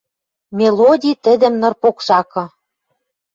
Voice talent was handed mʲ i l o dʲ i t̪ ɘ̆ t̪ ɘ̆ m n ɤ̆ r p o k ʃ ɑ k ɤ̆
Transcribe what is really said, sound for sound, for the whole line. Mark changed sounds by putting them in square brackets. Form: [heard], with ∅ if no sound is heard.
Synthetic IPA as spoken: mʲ [e] l o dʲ i t̪ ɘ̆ [d̪] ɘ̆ m n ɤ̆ r p o k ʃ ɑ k ɤ̆